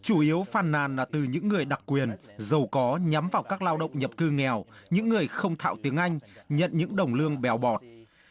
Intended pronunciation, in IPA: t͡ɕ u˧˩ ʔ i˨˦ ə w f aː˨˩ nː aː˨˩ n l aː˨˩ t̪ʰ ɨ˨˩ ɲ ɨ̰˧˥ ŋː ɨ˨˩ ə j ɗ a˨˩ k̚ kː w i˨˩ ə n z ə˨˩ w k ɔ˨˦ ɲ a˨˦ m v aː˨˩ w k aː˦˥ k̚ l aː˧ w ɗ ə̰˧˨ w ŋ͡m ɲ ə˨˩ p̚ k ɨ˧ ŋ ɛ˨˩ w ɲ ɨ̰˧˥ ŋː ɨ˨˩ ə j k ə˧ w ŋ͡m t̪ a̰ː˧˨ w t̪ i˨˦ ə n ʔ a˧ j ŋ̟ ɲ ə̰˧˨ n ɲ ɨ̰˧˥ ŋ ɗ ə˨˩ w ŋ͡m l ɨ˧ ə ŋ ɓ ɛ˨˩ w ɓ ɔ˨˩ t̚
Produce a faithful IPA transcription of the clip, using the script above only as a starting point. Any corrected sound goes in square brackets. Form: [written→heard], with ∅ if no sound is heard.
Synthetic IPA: t͡ɕ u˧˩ ʔ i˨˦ ə w f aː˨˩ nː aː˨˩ n l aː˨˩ [t̪ʰ→t̪] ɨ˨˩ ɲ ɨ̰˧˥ ŋː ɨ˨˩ ə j ɗ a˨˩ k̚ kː w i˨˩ ə n z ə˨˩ w k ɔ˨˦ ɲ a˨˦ m v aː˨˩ w k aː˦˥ k̚ l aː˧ w ɗ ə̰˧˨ w ŋ͡m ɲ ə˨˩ p̚ k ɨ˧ ŋ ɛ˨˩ w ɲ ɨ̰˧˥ ŋː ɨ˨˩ ə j [k→x] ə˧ w ŋ͡m [t̪→t̪ʰ] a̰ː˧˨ w t̪ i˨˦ ə [n→ŋ] ʔ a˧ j ŋ̟ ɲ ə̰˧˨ n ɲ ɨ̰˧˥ ŋ ɗ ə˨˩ w ŋ͡m l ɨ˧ ə ŋ ɓ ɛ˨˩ w ɓ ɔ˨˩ t̚

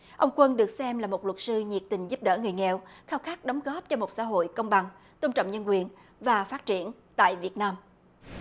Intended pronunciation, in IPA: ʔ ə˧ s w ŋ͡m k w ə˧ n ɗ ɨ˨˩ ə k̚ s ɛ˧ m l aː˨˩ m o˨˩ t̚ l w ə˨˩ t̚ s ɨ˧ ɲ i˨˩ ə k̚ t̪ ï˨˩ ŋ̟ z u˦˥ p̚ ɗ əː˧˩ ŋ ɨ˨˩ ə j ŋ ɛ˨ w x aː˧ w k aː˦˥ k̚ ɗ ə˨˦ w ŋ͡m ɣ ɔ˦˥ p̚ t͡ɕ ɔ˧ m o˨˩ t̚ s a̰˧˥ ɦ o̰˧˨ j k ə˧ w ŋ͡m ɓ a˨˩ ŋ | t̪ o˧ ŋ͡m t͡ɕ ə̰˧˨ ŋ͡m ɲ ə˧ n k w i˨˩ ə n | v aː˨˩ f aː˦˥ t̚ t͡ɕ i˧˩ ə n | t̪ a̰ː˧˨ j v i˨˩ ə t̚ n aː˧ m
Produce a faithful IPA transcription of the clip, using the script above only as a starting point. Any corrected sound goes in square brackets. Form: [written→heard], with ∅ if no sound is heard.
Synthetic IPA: ʔ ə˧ [s→∅] w ŋ͡m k w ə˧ n ɗ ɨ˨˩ ə k̚ s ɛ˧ m l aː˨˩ m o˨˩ t̚ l w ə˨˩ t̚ s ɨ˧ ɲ i˨˩ ə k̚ t̪ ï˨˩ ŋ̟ z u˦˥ p̚ ɗ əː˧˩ ŋ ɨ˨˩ ə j ŋ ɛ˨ w x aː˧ w [k→x] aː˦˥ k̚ ɗ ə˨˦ w ŋ͡m ɣ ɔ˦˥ p̚ t͡ɕ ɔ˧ m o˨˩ t̚ s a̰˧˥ ɦ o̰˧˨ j k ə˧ w ŋ͡m ɓ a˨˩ ŋ | t̪ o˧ ŋ͡m t͡ɕ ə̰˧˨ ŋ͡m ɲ ə˧ n k w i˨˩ ə n | v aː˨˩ f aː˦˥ t̚ t͡ɕ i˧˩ ə n | t̪ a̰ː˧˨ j v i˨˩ ə t̚ n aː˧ m

